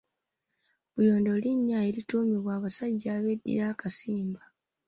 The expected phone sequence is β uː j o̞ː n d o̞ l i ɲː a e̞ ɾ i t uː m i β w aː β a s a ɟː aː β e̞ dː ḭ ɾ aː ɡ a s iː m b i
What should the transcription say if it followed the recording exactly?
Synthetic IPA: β u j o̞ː n d o̞ l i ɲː a e̞ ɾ i t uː m i β w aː β a s a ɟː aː β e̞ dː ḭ ɾ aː k a s iː m b a